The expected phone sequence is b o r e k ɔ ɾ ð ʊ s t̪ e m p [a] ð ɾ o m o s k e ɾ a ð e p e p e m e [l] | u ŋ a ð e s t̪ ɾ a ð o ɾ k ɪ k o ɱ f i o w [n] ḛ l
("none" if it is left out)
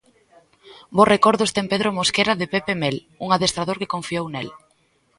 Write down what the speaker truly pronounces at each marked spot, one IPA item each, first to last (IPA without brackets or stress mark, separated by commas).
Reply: e, l, n